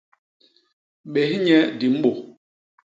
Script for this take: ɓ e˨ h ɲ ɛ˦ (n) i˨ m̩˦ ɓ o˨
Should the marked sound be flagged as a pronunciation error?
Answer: yes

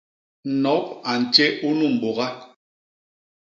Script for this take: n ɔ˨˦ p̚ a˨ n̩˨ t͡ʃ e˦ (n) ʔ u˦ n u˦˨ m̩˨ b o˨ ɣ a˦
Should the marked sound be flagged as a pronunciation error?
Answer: yes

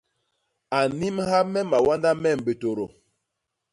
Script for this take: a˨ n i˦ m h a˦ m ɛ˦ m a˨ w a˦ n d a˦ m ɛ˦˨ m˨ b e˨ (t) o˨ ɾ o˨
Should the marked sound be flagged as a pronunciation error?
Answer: no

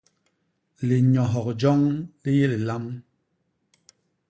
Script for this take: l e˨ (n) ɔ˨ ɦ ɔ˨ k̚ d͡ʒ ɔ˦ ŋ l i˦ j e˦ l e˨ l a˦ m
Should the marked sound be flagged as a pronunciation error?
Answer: yes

